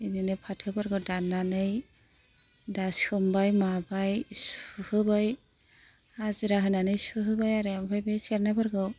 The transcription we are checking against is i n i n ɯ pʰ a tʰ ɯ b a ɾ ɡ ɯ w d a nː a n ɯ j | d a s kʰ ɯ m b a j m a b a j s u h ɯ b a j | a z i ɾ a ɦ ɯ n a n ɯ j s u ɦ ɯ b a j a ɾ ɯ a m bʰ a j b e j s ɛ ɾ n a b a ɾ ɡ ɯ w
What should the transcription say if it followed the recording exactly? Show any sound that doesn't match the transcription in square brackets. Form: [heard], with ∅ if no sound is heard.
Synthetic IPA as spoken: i n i n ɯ pʰ a tʰ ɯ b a ɾ ɡ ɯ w d a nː a n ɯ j | d a s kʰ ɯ m b a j m a b a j s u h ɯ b a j | a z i ɾ a ɦ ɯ n a n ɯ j s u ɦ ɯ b a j a ɾ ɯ a m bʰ a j b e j s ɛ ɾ n a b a ɾ ɡ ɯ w